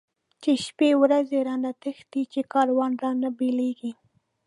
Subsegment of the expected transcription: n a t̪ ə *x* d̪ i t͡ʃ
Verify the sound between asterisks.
correct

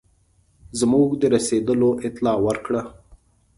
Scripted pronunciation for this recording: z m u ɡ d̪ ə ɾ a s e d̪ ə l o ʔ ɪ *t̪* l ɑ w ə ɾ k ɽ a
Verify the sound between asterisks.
correct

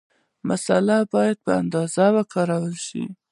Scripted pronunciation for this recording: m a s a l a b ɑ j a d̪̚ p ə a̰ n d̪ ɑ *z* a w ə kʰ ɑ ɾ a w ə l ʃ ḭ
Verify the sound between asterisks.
correct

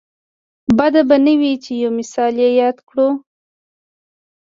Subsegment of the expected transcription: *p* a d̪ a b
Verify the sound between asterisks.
incorrect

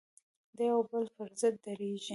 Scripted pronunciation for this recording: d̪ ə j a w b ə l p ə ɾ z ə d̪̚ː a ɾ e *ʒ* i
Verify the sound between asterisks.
correct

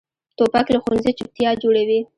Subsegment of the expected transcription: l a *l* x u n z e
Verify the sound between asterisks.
incorrect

